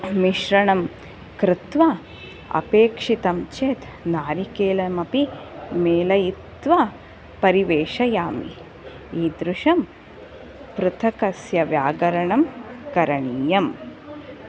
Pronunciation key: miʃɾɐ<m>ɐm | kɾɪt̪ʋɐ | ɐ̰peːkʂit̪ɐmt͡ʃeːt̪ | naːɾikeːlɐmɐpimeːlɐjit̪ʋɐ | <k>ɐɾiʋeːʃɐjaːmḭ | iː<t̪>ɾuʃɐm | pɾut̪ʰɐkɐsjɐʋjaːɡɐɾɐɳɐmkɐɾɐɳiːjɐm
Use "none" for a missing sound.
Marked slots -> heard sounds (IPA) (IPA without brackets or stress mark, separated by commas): ɳ, p, d̪